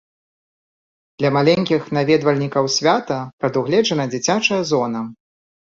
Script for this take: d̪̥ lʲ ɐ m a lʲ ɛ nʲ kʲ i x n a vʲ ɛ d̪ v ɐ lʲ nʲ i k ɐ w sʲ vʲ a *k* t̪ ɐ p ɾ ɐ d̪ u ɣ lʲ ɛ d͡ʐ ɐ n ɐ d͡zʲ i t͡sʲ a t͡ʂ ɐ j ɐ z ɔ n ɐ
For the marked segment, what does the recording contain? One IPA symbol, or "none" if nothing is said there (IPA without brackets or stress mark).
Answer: none